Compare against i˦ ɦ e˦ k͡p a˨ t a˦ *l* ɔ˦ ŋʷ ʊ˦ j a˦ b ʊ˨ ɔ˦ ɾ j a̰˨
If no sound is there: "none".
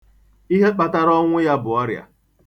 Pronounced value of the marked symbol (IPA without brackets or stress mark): ɾ